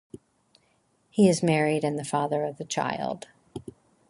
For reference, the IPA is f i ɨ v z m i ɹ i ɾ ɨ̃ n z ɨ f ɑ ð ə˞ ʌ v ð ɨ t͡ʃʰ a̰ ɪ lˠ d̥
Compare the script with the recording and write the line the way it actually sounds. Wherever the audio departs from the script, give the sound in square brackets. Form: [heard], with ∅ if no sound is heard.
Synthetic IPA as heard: [h] i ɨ [∅] z m [ɛ] ɹ i ɾ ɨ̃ n [ð] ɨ f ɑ ð ə˞ ʌ v ð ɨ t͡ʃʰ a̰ ɪ lˠ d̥

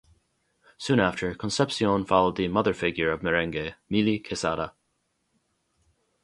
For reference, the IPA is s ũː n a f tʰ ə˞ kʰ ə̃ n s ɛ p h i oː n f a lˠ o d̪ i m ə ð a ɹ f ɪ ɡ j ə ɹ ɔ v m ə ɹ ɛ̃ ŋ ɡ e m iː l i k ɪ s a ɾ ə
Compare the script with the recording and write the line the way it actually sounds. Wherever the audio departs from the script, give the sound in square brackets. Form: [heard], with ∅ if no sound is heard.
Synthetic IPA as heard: s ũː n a f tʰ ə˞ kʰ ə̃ n s ɛ p [s] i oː n f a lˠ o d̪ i m [ʌ] ð [ə] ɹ f ɪ ɡ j ə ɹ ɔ v m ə ɹ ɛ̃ ŋ ɡ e m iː l i [kʰ] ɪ s a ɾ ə

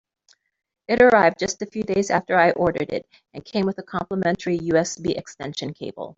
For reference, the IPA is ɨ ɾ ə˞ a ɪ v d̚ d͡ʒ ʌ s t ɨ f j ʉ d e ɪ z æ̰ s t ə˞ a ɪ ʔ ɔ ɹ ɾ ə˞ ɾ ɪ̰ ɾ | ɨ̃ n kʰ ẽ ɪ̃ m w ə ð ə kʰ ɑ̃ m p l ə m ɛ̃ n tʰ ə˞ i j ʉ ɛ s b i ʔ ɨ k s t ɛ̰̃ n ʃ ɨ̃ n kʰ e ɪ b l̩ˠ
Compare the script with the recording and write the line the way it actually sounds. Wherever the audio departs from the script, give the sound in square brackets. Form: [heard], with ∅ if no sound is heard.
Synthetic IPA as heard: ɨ ɾ ə˞ a ɪ v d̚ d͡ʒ ʌ s t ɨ f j ʉ d e ɪ z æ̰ [f] t ə˞ a ɪ ʔ ɔ ɹ ɾ ə˞ ɾ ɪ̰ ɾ | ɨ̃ n kʰ ẽ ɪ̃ m w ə ð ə kʰ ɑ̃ m p l ə m ɛ̃ n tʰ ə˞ i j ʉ ɛ s b i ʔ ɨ k s t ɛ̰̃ n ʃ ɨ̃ n kʰ e ɪ b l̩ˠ

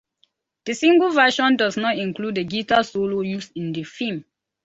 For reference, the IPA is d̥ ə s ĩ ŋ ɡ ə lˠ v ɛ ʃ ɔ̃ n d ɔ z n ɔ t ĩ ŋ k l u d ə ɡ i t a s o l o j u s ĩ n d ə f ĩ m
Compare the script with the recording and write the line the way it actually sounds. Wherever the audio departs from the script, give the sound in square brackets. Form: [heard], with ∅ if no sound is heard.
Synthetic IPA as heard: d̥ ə s ĩ ŋ ɡ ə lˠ v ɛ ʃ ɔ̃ n d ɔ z n ɔ t ĩ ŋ k l u d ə ɡ i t a s o l o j u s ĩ n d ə f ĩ m

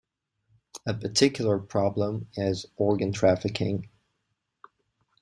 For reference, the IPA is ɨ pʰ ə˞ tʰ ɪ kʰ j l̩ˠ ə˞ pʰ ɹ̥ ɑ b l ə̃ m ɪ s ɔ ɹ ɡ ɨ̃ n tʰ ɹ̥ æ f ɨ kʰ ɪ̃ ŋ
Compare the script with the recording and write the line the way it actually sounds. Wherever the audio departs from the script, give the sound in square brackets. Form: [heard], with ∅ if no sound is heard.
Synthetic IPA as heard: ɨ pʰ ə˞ tʰ ɪ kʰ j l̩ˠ ə˞ pʰ ɹ̥ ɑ b l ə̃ m ɪ [z] ɔ ɹ ɡ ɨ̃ n tʰ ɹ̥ æ f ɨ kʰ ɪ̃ ŋ

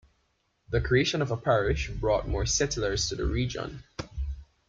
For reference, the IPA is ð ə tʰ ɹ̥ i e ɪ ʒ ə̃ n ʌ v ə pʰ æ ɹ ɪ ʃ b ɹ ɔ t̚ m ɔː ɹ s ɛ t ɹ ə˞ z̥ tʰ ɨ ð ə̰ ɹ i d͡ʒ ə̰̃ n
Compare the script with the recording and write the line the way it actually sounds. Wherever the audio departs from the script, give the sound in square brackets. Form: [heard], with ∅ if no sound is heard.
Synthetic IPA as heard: ð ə [kʰ] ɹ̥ i e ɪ [ʃ] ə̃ n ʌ v ə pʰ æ ɹ ɪ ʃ b ɹ ɔ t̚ m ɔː ɹ s ɛ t [l] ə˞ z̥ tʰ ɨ ð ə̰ ɹ i d͡ʒ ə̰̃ n

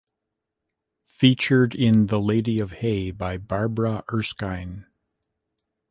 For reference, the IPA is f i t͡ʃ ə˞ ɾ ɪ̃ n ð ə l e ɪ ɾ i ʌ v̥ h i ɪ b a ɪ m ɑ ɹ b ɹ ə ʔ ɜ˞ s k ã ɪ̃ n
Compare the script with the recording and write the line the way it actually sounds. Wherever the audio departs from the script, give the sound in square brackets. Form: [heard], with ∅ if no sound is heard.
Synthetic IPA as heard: f i t͡ʃ ə˞ ɾ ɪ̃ n ð ə l e ɪ ɾ i ʌ v̥ h [e] ɪ b a ɪ [b] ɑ ɹ b ɹ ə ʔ ɜ˞ s k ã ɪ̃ n

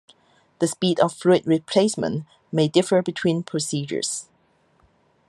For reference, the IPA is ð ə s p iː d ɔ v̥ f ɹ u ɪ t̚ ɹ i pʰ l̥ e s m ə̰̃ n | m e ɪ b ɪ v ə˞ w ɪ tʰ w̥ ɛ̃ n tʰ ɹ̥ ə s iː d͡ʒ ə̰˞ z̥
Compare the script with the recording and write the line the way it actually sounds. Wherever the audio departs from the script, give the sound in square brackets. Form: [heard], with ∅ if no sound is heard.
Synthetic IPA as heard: ð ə s p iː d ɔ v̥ f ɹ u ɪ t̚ ɹ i pʰ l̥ e s m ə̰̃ n | m e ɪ [d] ɪ [f] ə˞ [b] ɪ tʰ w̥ [ĩ] n [pʰ] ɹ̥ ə s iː d͡ʒ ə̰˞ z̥

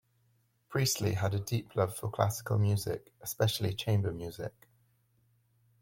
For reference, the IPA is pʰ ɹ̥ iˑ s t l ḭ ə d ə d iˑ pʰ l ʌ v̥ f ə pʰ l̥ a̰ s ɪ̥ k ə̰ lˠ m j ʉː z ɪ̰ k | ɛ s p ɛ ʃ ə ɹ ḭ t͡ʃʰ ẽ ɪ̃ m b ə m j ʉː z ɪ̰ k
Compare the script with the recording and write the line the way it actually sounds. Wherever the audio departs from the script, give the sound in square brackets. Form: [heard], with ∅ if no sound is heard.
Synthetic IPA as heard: pʰ ɹ̥ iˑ s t l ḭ ə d ə d iˑ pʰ l ʌ v̥ f ə [kʰ] l̥ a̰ s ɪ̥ k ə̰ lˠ m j ʉː z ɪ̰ k | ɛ s p ɛ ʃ ə [l] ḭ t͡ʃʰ ẽ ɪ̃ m b ə m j ʉː z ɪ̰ k

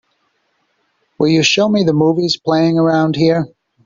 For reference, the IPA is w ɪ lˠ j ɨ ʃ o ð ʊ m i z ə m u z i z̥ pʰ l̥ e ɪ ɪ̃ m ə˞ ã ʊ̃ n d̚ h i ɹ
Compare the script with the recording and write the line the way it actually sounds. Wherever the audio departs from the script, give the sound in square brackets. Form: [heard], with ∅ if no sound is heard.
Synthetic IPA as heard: w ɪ lˠ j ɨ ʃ o [∅] ʊ m i [ð] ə m u [v] i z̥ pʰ l̥ e ɪ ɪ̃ [ŋ] ə˞ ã ʊ̃ n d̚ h i ɹ

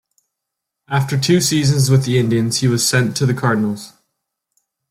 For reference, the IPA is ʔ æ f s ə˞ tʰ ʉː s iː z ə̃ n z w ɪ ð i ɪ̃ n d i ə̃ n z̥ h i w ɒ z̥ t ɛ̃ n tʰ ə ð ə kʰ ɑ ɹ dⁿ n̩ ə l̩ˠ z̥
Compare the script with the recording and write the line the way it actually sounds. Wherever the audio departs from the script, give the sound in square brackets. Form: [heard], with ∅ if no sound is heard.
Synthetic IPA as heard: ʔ [a] f [t] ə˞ tʰ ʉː s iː z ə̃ n z w ɪ ð i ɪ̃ n d i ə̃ n z̥ h i w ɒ z̥ [s] ɛ̃ n tʰ ə ð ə kʰ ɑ ɹ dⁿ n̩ ə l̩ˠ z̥

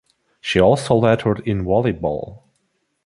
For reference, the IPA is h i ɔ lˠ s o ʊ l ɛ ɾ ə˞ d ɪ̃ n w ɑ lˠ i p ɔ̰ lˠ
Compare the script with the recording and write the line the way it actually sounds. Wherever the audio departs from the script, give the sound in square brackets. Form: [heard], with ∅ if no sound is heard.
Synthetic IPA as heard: [ʃ] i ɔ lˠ s o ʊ l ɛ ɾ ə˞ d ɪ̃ n w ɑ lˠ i [b] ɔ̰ lˠ

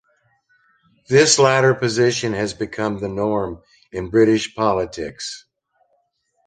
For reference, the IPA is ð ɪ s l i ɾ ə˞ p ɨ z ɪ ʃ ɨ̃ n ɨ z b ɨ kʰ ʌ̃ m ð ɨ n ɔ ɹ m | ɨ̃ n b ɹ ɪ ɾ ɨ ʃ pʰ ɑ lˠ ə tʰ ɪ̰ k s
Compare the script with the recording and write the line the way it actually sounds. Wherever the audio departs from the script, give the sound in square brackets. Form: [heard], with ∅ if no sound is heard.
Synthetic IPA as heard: ð ɪ s l [æ] ɾ ə˞ p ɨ z ɪ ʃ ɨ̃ n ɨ z b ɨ kʰ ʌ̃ m ð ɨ n ɔ ɹ m | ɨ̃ n b ɹ ɪ ɾ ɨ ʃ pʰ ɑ lˠ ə tʰ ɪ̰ k s

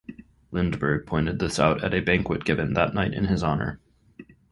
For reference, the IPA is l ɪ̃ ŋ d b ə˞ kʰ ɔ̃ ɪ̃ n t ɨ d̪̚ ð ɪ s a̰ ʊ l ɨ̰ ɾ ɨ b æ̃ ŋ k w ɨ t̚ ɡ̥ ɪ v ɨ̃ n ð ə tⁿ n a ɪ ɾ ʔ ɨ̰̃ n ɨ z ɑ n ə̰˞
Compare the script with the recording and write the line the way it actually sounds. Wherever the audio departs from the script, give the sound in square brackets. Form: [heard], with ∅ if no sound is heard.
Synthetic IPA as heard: l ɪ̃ [n] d b ə˞ [pʰ] ɔ̃ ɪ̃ n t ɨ d̪̚ ð ɪ s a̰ ʊ [ɾ] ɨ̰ ɾ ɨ b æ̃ ŋ k w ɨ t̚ ɡ̥ ɪ v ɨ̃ n ð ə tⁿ n a ɪ ɾ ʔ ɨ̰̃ n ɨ z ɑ n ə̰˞

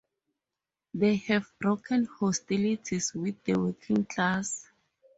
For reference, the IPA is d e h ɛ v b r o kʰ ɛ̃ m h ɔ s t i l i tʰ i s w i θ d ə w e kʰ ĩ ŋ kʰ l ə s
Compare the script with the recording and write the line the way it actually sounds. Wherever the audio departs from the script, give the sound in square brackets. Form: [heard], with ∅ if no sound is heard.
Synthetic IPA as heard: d e h ɛ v b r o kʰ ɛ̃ [n] h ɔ s t i l i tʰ i s w i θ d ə w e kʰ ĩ ŋ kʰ l [a] s

